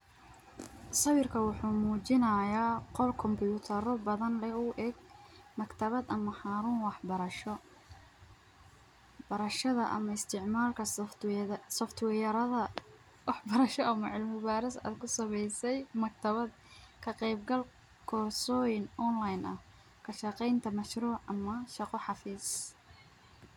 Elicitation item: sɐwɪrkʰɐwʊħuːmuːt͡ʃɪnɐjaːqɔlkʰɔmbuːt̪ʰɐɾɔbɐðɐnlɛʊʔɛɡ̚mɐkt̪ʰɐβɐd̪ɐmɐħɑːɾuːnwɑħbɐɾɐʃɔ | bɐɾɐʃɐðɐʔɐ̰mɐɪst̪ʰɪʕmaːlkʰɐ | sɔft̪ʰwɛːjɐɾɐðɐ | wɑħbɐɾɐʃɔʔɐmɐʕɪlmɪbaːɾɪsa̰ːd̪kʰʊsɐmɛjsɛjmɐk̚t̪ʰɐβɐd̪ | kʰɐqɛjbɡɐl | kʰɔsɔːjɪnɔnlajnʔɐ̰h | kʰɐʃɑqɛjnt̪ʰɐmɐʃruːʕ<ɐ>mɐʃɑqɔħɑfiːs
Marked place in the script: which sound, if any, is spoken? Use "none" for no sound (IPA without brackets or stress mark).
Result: ɐ